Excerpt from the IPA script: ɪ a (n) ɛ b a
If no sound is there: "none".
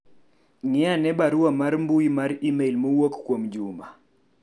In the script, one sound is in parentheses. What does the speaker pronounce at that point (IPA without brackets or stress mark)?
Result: n